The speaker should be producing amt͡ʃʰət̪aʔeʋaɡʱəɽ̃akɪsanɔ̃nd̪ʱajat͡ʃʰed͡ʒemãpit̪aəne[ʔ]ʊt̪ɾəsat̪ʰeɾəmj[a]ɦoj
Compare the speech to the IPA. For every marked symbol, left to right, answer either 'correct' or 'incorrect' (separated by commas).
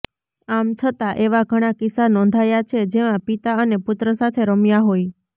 incorrect, correct